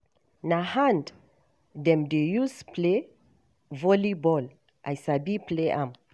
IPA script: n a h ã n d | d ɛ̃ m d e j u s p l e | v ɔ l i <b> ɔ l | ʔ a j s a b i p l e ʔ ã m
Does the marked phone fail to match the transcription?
no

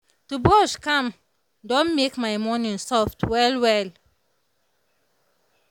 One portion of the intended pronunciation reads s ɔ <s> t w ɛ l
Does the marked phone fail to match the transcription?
yes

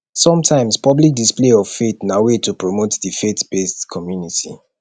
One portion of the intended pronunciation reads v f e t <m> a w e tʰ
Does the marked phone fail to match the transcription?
yes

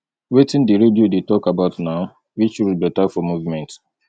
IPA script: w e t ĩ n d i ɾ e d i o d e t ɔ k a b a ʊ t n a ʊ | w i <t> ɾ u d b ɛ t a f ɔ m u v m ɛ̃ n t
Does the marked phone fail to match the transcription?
yes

